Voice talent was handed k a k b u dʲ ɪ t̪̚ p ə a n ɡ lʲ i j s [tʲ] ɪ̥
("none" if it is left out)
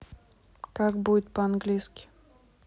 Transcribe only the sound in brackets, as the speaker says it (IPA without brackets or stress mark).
kʲ